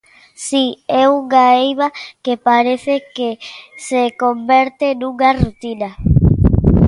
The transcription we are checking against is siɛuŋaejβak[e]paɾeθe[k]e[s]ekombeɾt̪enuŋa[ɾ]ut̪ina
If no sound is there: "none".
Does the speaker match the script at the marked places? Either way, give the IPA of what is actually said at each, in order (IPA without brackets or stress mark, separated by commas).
e, k, s, r